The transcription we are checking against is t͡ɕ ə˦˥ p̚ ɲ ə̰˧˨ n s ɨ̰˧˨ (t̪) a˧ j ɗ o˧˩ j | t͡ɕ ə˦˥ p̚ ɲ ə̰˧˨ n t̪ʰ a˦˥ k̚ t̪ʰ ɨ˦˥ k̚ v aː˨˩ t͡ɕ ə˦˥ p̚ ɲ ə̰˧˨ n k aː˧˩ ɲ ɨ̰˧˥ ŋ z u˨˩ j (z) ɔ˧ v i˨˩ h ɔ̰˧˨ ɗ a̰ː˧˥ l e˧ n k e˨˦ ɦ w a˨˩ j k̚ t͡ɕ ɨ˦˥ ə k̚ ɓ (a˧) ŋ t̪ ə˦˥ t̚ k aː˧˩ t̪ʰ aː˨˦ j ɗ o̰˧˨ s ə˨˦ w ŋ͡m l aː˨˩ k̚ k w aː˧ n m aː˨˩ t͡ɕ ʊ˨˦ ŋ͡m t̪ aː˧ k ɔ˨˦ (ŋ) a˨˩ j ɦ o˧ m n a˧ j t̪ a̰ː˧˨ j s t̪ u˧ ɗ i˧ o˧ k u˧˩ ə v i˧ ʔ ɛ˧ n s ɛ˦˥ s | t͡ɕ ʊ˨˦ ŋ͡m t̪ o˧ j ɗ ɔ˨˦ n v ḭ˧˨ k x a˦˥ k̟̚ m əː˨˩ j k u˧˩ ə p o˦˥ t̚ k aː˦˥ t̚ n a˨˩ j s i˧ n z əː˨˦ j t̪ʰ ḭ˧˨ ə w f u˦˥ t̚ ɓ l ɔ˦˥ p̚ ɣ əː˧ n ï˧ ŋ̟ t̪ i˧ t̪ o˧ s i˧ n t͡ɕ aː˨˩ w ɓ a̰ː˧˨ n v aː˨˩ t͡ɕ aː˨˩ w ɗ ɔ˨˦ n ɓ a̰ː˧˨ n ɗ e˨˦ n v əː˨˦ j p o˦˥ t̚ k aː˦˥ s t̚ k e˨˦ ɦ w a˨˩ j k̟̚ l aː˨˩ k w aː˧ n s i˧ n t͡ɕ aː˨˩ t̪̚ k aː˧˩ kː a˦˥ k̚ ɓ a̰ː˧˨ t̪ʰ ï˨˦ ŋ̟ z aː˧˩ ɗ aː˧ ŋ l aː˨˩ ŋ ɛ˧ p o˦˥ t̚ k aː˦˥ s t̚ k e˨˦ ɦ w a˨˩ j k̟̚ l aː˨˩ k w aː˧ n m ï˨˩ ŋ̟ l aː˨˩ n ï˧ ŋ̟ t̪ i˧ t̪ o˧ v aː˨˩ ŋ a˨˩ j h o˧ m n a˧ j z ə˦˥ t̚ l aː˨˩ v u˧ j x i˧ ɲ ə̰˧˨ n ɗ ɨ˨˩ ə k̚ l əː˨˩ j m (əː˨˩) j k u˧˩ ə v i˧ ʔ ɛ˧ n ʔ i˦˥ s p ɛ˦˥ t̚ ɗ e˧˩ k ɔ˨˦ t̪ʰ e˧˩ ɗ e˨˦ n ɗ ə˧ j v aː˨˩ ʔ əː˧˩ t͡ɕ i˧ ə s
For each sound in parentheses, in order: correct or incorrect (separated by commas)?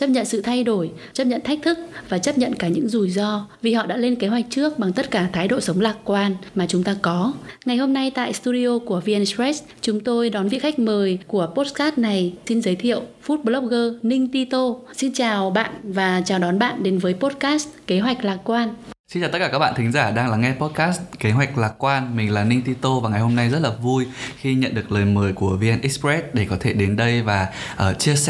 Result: incorrect, correct, incorrect, correct, correct